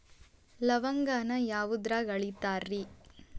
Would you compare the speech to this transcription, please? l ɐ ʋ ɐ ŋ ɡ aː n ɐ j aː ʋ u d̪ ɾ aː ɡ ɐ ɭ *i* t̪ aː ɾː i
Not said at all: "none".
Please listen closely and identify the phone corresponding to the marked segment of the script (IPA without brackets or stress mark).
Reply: i